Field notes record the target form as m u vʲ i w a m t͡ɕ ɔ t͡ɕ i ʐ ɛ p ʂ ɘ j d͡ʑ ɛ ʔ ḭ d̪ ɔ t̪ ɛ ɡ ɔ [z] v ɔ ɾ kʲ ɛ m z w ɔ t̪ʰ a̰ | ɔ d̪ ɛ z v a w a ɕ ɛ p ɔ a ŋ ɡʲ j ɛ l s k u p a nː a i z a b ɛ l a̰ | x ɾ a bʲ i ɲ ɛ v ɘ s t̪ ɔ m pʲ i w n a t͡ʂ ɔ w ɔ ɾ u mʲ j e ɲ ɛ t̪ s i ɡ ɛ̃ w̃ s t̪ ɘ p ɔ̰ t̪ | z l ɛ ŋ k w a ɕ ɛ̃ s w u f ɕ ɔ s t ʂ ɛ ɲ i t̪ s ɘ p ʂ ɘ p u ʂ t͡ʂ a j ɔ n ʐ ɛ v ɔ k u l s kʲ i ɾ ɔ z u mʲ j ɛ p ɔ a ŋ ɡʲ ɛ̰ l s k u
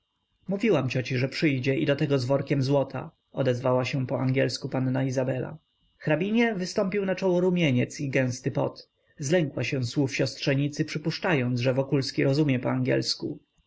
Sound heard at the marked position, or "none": z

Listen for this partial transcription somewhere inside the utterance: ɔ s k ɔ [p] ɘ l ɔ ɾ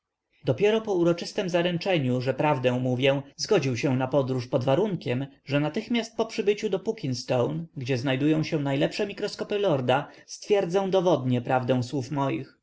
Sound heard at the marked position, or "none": p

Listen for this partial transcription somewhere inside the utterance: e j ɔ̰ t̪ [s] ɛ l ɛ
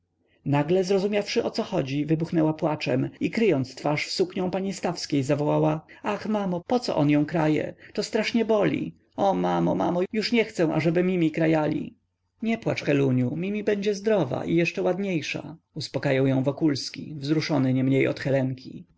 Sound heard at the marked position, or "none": x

